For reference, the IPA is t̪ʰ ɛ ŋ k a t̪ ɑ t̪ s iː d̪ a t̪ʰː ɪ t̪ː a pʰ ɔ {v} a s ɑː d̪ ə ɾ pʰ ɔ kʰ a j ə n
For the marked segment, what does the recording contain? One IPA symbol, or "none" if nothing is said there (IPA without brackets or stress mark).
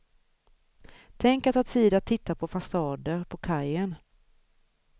f